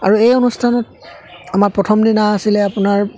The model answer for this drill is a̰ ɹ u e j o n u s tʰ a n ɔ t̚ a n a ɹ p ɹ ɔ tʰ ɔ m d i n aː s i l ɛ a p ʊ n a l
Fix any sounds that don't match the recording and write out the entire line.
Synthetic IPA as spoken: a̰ ɹ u e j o n u s tʰ a n ɔ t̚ a m a ɹ p ɹ ɔ tʰ ɔ m d i n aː s i l ɛ a p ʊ n a ɹ